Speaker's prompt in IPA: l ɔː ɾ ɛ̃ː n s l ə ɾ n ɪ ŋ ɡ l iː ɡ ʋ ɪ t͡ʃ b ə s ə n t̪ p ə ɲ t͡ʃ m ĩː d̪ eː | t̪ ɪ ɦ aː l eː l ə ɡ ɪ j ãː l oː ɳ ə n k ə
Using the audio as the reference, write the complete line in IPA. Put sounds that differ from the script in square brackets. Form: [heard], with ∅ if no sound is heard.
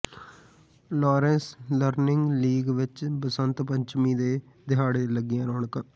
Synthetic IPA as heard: l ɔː ɾ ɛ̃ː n s l ə ɾ n ɪ ŋ ɡ l iː ɡ ʋ ɪ t͡ʃ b ə s ə n t̪ p ə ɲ t͡ʃ m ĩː d̪ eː | [d̪] ɪ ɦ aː [ɽ] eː l ə ɡ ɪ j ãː [ɾ] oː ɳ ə [∅] k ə